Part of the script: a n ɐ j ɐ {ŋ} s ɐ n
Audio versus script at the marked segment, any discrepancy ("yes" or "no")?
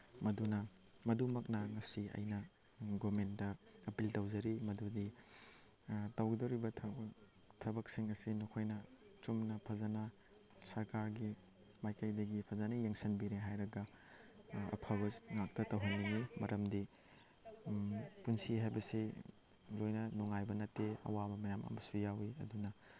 no